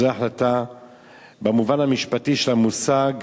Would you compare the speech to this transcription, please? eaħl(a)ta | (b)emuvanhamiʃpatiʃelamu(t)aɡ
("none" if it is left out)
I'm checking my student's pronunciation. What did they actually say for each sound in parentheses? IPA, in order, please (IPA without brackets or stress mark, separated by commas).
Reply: a, b, s